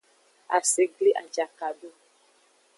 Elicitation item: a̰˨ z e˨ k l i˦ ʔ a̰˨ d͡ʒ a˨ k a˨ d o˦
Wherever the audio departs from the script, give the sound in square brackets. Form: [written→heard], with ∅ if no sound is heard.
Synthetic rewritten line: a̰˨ [z→s] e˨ [k→ɡ] l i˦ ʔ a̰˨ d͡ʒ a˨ k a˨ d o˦